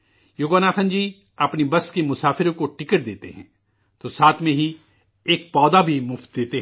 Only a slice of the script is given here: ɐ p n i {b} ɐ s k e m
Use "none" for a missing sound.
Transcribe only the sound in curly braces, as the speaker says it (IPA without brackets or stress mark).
b